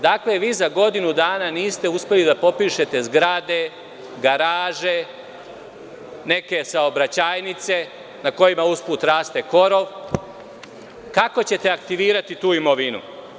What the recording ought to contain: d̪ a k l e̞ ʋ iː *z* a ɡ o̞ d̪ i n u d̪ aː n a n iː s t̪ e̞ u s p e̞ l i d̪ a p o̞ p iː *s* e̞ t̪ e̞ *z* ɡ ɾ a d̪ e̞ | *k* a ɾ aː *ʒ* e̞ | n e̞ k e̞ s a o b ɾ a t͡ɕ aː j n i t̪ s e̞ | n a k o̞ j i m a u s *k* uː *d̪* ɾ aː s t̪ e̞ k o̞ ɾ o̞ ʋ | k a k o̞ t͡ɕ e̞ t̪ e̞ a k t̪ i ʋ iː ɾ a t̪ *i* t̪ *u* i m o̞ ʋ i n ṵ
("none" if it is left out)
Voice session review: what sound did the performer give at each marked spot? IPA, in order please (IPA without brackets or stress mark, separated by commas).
z, ʃ, z, ɡ, ʒ, p, t̪, i, uː